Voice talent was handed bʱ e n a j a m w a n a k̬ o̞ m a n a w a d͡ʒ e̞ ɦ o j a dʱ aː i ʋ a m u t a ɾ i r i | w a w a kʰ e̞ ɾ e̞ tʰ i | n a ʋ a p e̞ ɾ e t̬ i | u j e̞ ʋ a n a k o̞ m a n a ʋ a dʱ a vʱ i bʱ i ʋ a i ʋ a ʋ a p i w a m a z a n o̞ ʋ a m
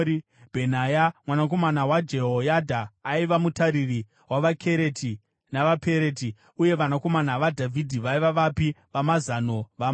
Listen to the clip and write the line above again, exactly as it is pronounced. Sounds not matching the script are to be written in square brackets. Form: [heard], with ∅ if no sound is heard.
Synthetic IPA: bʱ e n a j a m w a n a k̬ o̞ m a n a w a d͡ʒ e̞ ɦ o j a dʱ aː i ʋ a m u t a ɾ i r i | w a [ʋ] a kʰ e̞ ɾ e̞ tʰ i | n a ʋ a p e̞ ɾ e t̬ i | u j e̞ ʋ a n a k o̞ m a n a ʋ a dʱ a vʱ i [dʱ] i ʋ a i ʋ a ʋ a p i [ʋ] a m a z a n o̞ ʋ a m